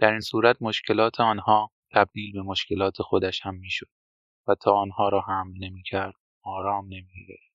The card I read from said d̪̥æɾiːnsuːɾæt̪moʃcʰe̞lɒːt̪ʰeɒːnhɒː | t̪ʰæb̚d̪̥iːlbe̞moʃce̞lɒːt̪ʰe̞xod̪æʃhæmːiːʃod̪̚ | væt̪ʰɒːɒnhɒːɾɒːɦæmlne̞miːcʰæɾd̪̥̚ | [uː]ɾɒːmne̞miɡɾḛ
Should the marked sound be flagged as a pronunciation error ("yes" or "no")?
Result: yes